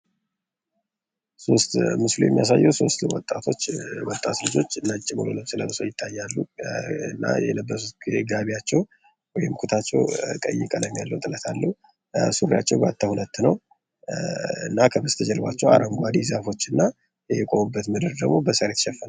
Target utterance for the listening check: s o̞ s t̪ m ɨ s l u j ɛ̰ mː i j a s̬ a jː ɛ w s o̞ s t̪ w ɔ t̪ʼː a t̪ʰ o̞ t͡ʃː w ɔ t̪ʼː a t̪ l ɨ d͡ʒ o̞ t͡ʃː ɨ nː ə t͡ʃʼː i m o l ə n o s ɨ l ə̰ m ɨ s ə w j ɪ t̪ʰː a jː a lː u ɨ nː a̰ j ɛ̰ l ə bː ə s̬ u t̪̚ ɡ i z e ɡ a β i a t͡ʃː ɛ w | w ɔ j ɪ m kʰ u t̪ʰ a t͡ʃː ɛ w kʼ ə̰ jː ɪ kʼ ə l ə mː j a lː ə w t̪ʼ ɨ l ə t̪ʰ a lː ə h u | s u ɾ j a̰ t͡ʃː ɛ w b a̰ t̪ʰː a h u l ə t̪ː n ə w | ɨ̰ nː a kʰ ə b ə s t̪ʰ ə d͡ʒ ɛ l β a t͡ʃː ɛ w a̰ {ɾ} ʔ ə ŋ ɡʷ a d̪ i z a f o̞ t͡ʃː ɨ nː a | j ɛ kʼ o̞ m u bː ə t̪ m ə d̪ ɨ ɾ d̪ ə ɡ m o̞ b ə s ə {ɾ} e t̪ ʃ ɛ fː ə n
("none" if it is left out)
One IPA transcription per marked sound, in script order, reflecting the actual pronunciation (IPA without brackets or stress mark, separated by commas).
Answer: ɾ, ɾ